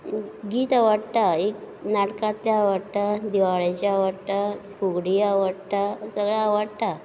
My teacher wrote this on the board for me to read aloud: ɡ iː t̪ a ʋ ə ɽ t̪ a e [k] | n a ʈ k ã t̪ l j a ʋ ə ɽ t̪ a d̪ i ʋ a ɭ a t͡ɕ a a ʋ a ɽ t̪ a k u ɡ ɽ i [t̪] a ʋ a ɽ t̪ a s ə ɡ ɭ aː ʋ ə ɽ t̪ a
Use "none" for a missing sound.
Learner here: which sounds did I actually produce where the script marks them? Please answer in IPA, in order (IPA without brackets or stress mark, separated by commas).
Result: k, none